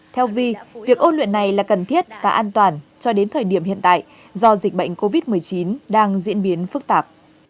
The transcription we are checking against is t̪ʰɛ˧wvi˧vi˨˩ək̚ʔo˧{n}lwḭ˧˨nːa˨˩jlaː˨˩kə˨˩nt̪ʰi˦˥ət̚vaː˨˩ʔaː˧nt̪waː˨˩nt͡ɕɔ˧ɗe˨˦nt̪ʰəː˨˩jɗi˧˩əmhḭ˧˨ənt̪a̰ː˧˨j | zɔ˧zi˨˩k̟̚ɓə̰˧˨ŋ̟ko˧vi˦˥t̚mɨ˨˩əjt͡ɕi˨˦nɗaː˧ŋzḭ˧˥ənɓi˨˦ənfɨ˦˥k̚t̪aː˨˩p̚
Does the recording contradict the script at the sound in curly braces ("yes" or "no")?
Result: no